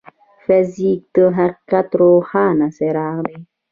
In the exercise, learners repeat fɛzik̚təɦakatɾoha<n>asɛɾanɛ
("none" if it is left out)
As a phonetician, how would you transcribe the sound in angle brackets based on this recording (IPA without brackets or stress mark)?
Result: n